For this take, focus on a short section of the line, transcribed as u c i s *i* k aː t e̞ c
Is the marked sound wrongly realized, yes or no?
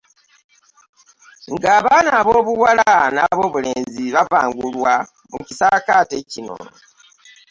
yes